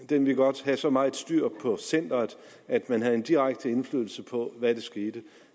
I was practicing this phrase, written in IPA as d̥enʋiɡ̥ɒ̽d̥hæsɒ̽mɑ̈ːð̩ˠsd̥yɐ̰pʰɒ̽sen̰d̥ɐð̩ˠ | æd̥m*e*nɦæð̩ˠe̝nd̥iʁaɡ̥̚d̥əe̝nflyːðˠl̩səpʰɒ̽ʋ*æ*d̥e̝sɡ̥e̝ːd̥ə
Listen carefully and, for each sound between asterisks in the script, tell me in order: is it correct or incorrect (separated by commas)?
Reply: incorrect, correct